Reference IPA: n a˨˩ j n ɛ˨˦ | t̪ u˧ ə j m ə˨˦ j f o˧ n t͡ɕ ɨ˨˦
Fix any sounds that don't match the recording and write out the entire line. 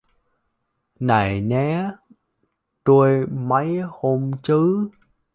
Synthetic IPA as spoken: n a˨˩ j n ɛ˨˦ | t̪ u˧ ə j m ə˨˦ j h o˧ m t͡ɕ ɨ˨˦